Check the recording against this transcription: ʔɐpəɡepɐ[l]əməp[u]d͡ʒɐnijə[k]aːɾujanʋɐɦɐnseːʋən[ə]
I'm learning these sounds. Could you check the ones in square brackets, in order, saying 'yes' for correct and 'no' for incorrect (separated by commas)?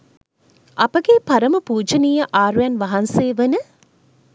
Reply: no, no, no, yes